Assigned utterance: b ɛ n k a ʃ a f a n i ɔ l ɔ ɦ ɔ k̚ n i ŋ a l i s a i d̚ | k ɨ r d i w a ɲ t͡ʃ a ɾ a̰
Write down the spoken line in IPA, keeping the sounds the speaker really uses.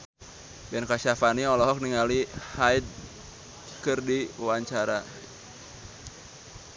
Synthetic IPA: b ɛ n k a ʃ a f a n i ɔ l ɔ ɦ ɔ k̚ n i ŋ a l i h a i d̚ | k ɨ r d i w a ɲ t͡ʃ a ɾ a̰